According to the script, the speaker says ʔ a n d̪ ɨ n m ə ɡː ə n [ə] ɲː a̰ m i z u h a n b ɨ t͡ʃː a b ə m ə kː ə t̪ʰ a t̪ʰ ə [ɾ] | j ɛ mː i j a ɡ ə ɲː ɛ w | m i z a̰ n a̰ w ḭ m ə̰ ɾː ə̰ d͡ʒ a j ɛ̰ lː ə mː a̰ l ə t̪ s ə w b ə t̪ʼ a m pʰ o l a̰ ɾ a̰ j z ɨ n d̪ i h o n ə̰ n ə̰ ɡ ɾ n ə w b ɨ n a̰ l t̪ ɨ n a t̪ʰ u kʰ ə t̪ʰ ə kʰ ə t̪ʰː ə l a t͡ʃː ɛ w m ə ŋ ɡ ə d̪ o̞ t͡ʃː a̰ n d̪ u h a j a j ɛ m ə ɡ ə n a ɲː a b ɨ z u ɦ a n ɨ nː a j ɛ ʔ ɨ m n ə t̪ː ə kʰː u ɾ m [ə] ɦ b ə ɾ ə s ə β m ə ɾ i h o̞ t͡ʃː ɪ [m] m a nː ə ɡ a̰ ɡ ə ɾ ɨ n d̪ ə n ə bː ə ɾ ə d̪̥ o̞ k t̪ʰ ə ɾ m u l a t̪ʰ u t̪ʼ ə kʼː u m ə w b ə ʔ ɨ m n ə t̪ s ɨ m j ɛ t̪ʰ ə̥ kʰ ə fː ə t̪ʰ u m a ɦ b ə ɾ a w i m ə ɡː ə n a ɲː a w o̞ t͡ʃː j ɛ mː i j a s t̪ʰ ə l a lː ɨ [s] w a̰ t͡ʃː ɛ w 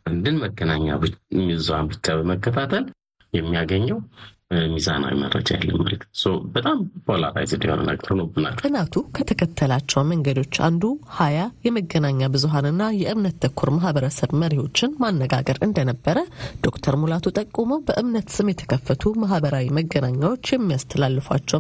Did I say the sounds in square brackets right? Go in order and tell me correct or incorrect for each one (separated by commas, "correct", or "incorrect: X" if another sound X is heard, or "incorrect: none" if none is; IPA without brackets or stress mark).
incorrect: a, incorrect: l, incorrect: a, incorrect: n, incorrect: f